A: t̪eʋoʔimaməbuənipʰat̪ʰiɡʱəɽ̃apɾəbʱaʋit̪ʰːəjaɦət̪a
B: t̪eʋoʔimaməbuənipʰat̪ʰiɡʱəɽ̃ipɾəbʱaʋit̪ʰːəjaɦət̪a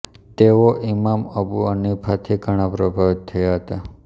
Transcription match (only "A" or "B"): A